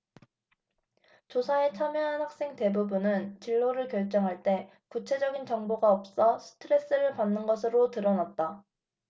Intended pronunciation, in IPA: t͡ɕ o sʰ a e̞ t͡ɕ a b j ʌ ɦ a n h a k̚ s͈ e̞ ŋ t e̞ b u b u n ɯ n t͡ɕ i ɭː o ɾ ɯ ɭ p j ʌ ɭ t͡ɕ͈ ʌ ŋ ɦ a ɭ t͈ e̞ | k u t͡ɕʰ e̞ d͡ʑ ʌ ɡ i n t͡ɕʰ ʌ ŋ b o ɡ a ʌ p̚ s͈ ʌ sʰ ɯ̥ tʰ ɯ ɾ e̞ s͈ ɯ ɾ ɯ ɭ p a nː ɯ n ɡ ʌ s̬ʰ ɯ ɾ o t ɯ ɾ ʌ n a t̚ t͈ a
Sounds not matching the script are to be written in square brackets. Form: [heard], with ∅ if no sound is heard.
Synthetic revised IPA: t͡ɕ o sʰ a e̞ [t͡ɕʰ] a [m] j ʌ ɦ a n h a k̚ s͈ e̞ ŋ t e̞ b u b u n ɯ n t͡ɕ i ɭː o ɾ ɯ ɭ [k] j ʌ ɭ t͡ɕ͈ ʌ ŋ ɦ a ɭ t͈ e̞ | k u t͡ɕʰ e̞ d͡ʑ ʌ ɡ i n [t͡ɕ] ʌ ŋ b o ɡ a ʌ p̚ s͈ ʌ sʰ ɯ̥ tʰ ɯ ɾ e̞ s͈ ɯ ɾ ɯ ɭ p a nː ɯ n ɡ ʌ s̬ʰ ɯ ɾ o t ɯ ɾ ʌ n a t̚ t͈ a